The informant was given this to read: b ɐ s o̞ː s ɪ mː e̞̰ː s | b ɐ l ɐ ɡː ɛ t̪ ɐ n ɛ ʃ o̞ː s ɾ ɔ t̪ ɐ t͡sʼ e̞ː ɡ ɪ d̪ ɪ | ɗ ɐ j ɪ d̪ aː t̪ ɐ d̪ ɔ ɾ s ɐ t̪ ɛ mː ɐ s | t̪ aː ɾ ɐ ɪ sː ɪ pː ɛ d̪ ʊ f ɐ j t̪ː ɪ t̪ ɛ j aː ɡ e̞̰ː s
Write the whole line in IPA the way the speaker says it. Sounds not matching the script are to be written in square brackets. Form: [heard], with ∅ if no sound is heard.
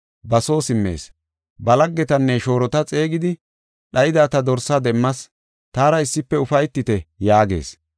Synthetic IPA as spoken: b ɐ s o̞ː s ɪ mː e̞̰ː s | b ɐ l ɐ ɡː ɛ t̪ ɐ [nː] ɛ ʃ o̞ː [∅] ɾ ɔ t̪ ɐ t͡sʼ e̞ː ɡ ɪ d̪ ɪ | ɗ ɐ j ɪ d̪ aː t̪ ɐ d̪ ɔ ɾ s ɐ [d̪] ɛ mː ɐ s | t̪ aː ɾ ɐ ɪ sː ɪ pː ɛ [∅] ʊ f ɐ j t̪ː ɪ t̪ ɛ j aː ɡ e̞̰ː s